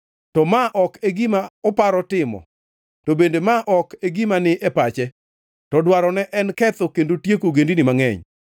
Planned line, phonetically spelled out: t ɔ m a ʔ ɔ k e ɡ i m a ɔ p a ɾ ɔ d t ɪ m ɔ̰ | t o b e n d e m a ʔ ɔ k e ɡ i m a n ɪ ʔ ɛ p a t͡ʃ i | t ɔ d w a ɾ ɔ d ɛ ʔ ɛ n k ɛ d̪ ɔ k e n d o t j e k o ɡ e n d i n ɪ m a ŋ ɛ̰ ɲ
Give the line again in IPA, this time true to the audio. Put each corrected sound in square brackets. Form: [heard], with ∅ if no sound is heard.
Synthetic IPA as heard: t ɔ m a ʔ ɔ k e ɡ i m a ɔ p a ɾ ɔ [∅] t ɪ m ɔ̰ | t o b e n d e m a ʔ ɔ k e ɡ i m a n ɪ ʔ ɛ p a t͡ʃ [ɛ] | t ɔ d w a ɾ ɔ [n] ɛ ʔ ɛ n k ɛ [t̪] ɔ k e n d o t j e k o ɡ e n d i n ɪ m a ŋ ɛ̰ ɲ